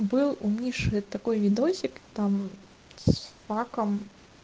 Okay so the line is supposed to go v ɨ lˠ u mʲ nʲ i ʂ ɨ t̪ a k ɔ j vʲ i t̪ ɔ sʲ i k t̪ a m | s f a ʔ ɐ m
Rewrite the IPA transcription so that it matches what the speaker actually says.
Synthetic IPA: b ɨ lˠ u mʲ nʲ i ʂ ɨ t̪ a k ɔ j vʲ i d̪ ɔ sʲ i k t̪ a m | s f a k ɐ m

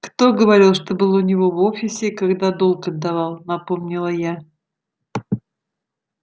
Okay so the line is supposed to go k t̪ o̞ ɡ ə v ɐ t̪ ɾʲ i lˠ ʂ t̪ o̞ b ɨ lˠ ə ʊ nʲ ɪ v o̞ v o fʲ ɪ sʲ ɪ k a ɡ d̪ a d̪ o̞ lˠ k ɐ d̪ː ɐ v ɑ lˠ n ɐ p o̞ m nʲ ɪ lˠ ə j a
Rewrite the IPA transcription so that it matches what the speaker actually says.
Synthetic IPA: k t̪ o̞ ɡ ə v ɐ ɾʲ i lˠ ʂ t̪ o̞ b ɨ lˠ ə ʊ nʲ ɪ v o̞ v o fʲ ɪ sʲ ɪ k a ɡ d̪ a d̪ o̞ lˠ k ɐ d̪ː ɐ v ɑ lˠ n ɐ p o̞ m nʲ ɪ lˠ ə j a

